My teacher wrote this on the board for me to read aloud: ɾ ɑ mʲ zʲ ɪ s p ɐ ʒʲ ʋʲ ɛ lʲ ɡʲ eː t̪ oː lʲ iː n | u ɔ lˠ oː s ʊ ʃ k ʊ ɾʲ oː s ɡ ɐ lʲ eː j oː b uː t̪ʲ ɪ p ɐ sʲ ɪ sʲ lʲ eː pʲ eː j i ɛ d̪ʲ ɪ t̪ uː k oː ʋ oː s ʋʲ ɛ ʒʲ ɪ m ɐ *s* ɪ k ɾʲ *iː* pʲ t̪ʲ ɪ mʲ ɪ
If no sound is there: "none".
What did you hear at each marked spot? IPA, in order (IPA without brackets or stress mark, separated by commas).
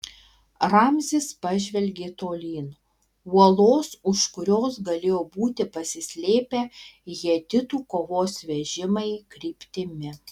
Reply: none, iː